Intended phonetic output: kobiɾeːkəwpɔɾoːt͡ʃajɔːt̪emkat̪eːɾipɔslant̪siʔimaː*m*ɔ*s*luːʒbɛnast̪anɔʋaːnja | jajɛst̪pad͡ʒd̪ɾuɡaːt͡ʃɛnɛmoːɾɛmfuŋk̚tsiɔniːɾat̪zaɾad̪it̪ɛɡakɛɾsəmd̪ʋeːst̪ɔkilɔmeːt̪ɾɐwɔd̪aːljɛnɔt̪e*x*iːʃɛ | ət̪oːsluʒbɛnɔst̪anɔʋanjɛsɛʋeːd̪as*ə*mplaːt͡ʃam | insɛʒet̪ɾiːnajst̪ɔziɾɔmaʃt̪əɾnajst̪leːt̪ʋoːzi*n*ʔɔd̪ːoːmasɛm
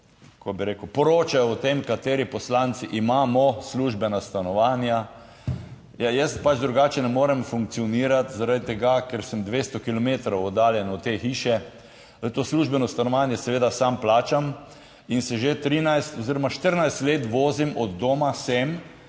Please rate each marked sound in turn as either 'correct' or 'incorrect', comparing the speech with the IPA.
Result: correct, correct, correct, incorrect, incorrect

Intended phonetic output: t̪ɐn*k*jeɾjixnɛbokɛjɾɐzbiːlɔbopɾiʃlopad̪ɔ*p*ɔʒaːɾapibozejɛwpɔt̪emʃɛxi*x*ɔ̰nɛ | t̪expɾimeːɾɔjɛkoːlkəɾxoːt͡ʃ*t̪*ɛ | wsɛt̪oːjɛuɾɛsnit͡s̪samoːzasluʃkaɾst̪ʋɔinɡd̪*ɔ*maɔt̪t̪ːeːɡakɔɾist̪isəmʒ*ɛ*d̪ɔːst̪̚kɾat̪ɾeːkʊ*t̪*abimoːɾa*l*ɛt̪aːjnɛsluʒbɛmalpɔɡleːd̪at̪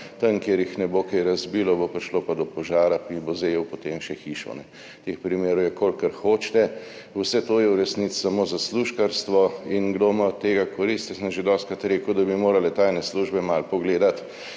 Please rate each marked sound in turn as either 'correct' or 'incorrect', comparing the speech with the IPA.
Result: correct, correct, incorrect, correct, incorrect, incorrect, incorrect, correct

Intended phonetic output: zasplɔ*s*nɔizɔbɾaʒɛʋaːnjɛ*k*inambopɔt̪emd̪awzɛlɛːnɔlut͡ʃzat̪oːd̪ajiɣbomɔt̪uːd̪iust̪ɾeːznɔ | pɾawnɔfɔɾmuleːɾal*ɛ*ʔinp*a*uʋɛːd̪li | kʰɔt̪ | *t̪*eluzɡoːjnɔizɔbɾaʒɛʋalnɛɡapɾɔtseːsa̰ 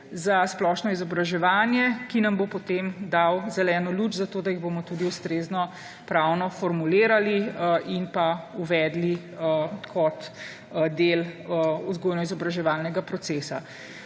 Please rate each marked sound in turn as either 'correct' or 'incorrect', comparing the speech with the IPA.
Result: incorrect, correct, incorrect, correct, incorrect

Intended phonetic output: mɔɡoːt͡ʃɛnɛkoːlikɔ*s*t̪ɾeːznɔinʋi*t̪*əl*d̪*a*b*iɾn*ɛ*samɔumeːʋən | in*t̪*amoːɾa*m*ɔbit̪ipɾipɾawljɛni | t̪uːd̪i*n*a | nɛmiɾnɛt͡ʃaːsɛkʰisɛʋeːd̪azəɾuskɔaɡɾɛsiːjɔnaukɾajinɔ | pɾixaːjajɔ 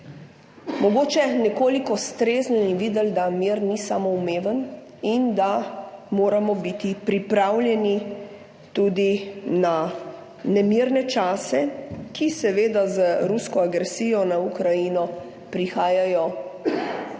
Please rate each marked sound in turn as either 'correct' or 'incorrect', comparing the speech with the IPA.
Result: correct, incorrect, correct, incorrect, incorrect, incorrect, correct, correct

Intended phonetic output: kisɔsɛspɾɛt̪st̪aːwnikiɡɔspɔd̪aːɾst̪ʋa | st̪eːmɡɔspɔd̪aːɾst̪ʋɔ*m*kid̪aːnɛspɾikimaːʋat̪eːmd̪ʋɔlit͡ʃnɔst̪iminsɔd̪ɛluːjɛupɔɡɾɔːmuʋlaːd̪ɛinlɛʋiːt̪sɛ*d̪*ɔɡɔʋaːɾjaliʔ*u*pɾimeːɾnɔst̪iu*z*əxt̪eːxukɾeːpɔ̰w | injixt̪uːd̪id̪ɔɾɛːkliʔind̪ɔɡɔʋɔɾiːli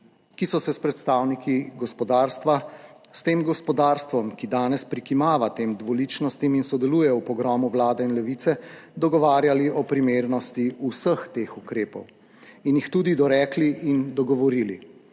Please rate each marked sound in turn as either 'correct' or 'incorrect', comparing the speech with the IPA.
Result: correct, correct, incorrect, incorrect

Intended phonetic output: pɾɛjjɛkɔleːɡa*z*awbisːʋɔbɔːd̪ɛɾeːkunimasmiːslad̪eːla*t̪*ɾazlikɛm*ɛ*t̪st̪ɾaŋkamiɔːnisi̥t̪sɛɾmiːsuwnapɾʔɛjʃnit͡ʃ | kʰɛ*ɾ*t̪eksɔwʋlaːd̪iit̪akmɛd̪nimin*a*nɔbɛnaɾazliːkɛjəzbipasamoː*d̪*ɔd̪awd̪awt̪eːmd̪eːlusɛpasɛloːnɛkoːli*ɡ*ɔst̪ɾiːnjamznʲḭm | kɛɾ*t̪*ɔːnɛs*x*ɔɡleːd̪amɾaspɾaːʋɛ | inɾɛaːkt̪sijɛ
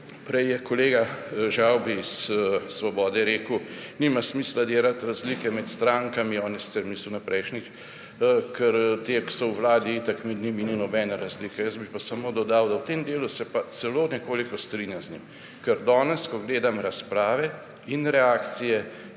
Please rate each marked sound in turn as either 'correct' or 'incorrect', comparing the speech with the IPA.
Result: incorrect, correct, correct, correct, incorrect, correct, incorrect, incorrect, incorrect

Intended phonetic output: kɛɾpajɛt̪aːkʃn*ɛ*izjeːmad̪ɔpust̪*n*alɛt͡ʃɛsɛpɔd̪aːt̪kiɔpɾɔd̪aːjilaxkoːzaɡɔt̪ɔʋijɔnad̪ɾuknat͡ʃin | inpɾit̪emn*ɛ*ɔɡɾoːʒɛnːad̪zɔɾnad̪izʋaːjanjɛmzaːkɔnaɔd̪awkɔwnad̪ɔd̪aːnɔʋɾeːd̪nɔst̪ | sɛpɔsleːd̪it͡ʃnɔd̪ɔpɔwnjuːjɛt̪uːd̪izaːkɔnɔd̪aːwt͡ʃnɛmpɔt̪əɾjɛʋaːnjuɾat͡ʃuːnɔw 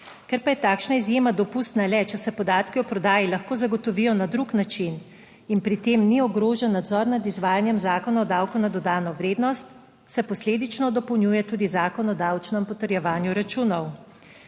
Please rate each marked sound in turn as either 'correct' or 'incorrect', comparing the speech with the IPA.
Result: incorrect, correct, incorrect

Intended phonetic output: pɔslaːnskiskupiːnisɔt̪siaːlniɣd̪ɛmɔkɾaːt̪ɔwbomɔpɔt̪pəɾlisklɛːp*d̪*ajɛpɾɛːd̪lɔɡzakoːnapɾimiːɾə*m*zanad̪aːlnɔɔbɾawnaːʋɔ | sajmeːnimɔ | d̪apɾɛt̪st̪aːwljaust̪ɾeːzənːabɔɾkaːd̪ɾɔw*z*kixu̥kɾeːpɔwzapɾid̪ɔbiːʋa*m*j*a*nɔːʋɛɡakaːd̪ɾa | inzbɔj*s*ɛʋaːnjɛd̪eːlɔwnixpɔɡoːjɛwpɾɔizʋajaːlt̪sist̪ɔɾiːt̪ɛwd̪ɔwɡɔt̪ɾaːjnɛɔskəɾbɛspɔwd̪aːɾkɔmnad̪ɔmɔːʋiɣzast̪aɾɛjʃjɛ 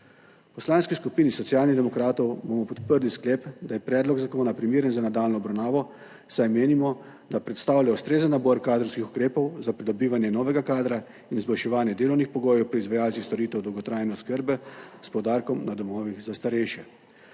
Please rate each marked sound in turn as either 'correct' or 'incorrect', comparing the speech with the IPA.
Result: correct, incorrect, incorrect, incorrect, incorrect, incorrect

